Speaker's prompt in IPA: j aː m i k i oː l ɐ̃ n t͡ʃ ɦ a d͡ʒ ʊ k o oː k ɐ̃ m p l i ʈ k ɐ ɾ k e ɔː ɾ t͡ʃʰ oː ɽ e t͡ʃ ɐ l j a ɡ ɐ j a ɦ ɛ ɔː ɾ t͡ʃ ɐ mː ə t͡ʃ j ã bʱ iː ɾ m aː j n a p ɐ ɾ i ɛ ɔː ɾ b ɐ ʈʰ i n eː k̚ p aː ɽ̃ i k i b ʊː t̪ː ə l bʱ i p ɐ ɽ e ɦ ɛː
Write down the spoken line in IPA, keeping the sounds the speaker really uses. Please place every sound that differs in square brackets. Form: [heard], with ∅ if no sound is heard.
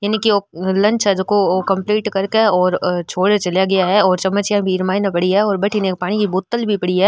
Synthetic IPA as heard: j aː [n] i k i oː l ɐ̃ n t͡ʃ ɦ [ɛ] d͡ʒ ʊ k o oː k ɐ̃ m p l [iː] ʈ k ɐ ɾ k e ɔː ɾ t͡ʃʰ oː ɽ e t͡ʃ ɐ l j a ɡ ɐ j a ɦ ɛ ɔː ɾ t͡ʃ ɐ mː ə t͡ʃ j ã bʱ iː ɾ m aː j n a p ɐ [ɽ] i ɛ ɔː ɾ b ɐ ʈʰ i n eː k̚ p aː ɽ̃ i k i b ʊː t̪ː ə l bʱ i p ɐ ɽ [i] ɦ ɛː

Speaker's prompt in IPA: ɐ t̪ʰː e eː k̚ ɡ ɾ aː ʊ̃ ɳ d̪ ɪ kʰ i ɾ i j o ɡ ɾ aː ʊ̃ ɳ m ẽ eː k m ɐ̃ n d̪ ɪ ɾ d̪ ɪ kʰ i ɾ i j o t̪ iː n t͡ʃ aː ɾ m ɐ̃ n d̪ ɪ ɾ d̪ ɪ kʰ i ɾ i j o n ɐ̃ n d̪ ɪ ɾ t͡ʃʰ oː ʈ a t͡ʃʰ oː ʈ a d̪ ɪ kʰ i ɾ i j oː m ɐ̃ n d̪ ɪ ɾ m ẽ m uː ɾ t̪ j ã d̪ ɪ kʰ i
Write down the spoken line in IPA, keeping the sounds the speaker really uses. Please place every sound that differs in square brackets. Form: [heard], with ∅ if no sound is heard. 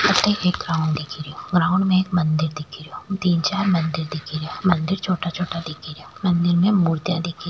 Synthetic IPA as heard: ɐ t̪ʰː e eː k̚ ɡ ɾ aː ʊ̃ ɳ d̪ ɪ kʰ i ɾ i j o ɡ ɾ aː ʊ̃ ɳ m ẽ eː k m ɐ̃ n d̪ ɪ ɾ d̪ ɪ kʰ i ɾ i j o t̪ iː n t͡ʃ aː ɾ m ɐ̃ n d̪ ɪ ɾ d̪ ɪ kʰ i ɾ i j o [m] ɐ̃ n d̪ ɪ ɾ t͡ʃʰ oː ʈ a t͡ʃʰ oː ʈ a d̪ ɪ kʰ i ɾ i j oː m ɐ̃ n d̪ ɪ ɾ m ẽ m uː ɾ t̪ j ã d̪ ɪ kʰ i

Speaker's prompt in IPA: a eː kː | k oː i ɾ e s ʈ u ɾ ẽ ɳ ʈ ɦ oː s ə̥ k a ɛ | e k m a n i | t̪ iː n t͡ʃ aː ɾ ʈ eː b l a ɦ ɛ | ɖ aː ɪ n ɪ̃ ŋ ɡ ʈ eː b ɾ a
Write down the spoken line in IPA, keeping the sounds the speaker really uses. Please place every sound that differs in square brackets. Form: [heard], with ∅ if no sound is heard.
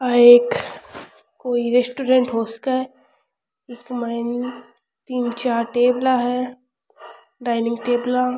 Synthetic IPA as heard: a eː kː | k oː i ɾ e s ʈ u ɾ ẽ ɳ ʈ ɦ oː s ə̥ k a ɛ | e k m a n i | t̪ iː n t͡ʃ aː ɾ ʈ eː b l a ɦ ɛ | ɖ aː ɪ n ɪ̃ ŋ ɡ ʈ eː b [l] a

